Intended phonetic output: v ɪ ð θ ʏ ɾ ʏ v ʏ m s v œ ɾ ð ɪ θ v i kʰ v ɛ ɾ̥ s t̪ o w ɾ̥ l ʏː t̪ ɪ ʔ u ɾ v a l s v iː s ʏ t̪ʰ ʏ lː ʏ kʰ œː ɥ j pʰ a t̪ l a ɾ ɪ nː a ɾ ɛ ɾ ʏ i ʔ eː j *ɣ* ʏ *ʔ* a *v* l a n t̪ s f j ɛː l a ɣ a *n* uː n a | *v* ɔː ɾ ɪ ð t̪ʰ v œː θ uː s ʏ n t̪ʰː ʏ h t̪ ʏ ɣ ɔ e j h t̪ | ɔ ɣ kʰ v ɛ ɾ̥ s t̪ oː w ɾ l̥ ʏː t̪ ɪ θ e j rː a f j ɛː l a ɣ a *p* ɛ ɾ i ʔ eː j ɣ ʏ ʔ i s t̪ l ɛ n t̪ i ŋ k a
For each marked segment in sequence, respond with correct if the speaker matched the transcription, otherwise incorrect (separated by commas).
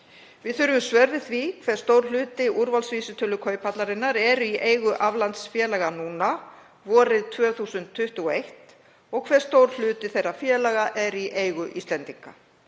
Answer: correct, correct, correct, correct, correct, incorrect